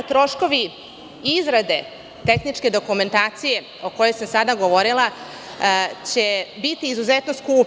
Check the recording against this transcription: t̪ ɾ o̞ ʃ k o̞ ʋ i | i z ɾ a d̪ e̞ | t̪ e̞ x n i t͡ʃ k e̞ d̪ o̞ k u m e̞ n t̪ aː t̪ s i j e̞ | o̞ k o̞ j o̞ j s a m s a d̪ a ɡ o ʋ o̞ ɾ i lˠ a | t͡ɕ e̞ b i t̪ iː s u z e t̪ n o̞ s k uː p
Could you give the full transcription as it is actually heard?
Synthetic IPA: t̪ ɾ o̞ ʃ k o̞ ʋ i | i z ɾ a d̪ e̞ | t̪ e̞ x n i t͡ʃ k e̞ d̪ o̞ k u m e̞ n t̪ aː t̪ s i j e̞ | o̞ k o̞ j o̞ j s a m s a d̪ a ɡ o ʋ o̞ ɾ i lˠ a | t͡ɕ e̞ b i t̪ iː z u z e t̪ n o̞ s k uː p